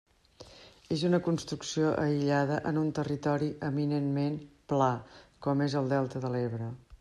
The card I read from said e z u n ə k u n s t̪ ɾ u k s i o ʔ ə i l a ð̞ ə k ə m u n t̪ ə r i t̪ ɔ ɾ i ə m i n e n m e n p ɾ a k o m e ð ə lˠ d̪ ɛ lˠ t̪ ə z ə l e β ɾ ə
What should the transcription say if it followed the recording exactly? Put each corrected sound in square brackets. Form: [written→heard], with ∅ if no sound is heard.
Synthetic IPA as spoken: e z u n ə k u n s t̪ ɾ u k s i o ʔ ə i [l→ʎ] a ð̞ ə [k→ʔ] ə [m→n] u n t̪ ə r i t̪ ɔ ɾ i ə m i n e n m e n p [ɾ→l] a k [o→ɔ] m e [ð→z] ə lˠ d̪ ɛ lˠ t̪ ə [z→ð] ə l e β ɾ ə